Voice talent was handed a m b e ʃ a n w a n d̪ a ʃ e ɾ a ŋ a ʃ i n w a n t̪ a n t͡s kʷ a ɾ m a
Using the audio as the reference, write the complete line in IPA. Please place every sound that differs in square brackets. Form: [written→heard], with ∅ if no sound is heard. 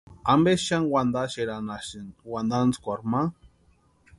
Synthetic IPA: a m b e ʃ a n w a n d̪ a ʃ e ɾ a [ŋ→n] a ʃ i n w a n [t̪→d̪] a n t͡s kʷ a ɾ m a